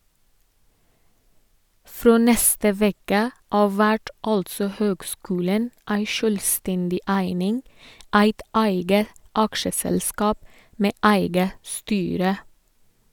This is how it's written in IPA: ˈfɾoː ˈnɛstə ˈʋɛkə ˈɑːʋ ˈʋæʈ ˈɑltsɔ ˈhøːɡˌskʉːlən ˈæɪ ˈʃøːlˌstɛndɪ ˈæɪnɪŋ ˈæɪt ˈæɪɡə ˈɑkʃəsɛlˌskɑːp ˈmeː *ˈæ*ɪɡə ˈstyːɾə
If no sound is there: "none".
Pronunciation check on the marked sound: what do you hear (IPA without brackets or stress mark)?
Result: æ